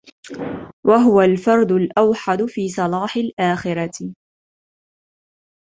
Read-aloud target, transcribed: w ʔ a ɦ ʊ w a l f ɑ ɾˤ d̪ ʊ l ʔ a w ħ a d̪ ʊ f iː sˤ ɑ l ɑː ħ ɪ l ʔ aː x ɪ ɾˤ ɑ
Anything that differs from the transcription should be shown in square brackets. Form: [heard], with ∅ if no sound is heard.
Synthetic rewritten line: w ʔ a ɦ ʊ w a l f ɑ ɾˤ d̪ ʊ l ʔ a w ħ a d̪ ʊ f iː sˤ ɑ l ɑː ħ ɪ l ʔ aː x ɪ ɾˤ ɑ